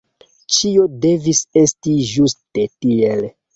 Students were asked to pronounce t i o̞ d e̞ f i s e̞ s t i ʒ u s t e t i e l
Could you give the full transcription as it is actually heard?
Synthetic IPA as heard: t͡ʃ i o̞ d e̞ v i s e̞ s t i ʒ u s t e t i e l